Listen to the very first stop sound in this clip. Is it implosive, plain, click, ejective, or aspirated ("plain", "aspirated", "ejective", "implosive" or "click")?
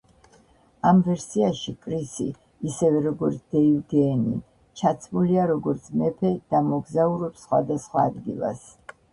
ejective